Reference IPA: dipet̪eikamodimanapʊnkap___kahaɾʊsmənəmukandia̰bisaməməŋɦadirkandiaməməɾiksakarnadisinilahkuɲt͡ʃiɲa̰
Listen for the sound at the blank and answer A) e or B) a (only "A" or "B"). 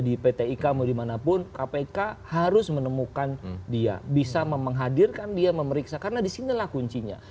A